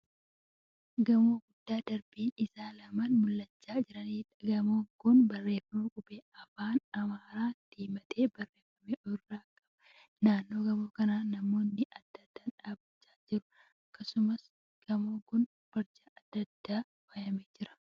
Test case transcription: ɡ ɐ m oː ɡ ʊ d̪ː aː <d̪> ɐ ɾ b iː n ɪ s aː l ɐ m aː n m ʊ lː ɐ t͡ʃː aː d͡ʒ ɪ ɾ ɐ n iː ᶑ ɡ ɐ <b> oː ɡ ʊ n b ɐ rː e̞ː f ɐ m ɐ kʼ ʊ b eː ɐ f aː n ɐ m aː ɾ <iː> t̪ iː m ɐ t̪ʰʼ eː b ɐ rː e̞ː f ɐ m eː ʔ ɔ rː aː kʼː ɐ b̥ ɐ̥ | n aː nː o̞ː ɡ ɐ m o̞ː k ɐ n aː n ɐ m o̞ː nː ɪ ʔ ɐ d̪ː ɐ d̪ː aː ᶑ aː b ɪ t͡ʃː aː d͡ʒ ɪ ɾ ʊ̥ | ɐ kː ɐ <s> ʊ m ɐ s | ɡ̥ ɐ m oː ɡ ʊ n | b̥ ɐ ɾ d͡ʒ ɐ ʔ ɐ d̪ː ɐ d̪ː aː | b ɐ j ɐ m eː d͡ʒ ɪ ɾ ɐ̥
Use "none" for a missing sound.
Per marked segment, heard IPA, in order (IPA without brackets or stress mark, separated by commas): d̪, m, aː, s